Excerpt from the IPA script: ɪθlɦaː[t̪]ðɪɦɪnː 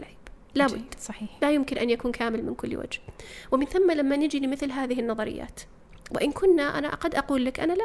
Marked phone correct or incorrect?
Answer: incorrect